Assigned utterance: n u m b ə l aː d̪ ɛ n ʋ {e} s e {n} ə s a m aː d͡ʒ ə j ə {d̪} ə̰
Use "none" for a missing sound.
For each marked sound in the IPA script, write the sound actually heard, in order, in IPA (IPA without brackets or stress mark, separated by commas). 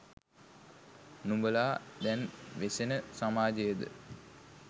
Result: e, n, d̪